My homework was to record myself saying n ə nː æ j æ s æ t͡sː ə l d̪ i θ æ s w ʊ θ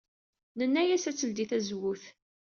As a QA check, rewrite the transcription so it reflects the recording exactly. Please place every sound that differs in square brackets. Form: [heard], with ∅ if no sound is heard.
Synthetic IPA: n ə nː æ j æ s æ t͡sː ə l d̪ i θ æ [z] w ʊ θ